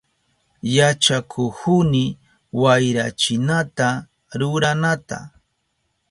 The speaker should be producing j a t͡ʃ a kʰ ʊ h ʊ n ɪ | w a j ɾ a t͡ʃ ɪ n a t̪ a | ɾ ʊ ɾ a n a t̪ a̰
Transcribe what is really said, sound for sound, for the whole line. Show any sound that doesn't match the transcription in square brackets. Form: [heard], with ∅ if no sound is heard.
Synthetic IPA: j a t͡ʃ a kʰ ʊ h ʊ n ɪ | w a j ɾ a t͡ʃ ɪ n a t̪ a | ɾ ʊ ɾ a n a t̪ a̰